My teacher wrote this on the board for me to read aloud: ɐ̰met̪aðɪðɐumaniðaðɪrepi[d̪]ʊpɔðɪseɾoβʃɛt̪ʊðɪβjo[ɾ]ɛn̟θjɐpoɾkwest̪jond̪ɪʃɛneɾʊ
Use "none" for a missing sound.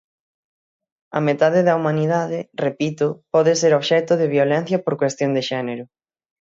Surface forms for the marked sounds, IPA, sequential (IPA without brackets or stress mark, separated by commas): t̪, l